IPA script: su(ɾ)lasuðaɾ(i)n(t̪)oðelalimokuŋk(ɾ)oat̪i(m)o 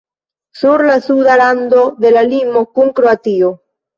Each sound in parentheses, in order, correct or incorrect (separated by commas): correct, incorrect, incorrect, correct, incorrect